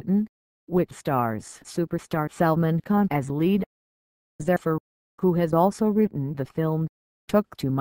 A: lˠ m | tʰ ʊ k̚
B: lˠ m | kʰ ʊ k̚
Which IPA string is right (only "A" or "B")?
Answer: A